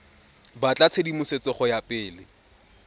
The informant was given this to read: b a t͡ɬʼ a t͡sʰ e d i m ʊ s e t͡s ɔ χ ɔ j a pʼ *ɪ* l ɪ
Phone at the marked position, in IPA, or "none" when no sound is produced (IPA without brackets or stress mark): ɪː